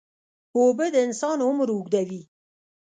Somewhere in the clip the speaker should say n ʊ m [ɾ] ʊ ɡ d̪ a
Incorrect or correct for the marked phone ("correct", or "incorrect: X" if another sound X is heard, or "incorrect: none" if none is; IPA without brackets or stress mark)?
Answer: correct